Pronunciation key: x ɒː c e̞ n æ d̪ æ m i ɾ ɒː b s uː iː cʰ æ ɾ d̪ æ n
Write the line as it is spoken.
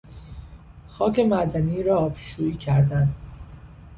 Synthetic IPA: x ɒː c e̞ m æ d̪ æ n i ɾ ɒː b ʃ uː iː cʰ æ ɾ d̪ æ n